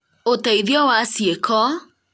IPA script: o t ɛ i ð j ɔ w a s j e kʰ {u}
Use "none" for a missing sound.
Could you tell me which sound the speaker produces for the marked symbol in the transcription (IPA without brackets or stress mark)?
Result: ɔ